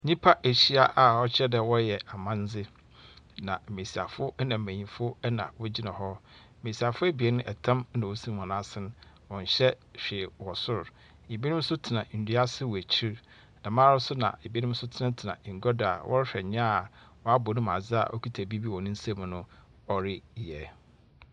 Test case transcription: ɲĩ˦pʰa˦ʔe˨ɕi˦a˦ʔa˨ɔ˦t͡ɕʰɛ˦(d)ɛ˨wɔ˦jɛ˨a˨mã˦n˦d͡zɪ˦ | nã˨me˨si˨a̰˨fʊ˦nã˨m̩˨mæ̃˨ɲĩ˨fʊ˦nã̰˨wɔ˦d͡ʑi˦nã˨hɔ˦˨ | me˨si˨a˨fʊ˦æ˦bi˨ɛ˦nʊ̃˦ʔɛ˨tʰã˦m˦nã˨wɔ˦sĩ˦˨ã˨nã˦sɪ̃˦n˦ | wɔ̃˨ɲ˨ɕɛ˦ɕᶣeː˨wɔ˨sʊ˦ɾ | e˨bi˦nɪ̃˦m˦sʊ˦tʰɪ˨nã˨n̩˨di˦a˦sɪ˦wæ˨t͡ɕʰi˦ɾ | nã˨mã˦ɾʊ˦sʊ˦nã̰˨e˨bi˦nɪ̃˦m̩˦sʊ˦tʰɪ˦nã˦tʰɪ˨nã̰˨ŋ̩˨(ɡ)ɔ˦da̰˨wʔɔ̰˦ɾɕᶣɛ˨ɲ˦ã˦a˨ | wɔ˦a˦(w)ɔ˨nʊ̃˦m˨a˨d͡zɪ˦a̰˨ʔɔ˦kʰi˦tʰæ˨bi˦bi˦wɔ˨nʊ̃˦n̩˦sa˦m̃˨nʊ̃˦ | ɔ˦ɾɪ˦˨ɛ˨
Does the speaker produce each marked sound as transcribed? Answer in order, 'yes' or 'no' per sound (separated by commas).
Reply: yes, yes, no